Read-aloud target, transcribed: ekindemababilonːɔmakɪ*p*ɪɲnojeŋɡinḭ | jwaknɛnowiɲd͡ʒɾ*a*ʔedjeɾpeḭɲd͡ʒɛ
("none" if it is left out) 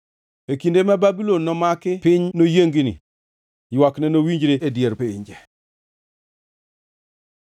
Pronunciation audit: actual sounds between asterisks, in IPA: p, e

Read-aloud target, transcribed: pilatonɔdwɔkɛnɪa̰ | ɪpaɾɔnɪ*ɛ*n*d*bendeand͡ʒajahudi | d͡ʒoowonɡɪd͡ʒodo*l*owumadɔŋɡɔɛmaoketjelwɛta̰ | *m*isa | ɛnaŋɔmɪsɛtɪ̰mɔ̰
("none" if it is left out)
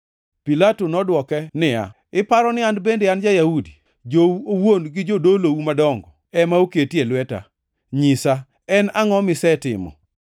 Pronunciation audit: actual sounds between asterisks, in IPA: a, d, l, ɲ

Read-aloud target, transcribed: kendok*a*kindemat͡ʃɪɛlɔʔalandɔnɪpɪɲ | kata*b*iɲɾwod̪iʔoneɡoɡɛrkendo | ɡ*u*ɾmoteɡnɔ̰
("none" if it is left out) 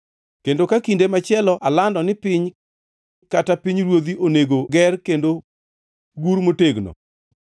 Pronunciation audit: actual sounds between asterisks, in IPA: a, p, u

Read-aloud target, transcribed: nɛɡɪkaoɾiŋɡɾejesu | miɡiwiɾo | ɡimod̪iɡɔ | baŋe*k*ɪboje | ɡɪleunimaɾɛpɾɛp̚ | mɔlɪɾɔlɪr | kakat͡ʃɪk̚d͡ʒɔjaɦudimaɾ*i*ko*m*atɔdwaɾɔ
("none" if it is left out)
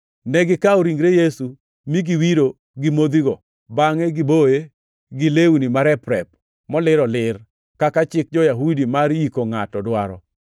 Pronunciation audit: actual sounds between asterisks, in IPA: ɡ, i, ŋ

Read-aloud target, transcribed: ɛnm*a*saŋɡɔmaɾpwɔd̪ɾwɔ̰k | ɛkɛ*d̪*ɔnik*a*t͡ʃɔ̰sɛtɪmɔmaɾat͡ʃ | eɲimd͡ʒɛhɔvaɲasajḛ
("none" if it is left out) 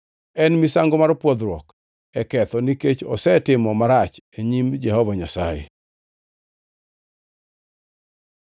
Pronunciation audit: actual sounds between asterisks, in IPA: i, t̪, e

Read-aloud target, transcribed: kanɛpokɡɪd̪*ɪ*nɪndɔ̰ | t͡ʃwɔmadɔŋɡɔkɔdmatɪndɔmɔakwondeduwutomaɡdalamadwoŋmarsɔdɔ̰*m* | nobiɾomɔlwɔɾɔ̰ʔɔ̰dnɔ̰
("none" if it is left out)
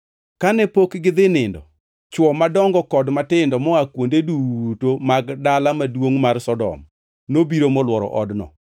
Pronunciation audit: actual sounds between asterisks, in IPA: ɪ, m

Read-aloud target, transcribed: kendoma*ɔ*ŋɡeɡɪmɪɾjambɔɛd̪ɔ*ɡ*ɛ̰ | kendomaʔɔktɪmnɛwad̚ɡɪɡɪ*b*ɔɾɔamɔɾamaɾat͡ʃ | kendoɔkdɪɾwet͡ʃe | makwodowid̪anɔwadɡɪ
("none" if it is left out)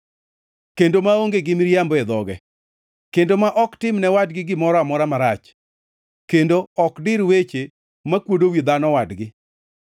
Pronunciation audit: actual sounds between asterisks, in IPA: o, ɡ, m

